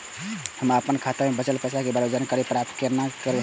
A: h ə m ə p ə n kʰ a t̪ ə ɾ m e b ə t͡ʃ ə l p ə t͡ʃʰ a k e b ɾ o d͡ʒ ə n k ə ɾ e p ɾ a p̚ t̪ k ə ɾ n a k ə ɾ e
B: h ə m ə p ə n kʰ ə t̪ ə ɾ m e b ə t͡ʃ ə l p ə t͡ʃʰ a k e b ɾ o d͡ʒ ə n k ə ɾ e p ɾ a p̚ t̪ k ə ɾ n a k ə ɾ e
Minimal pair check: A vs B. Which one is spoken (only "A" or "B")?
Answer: A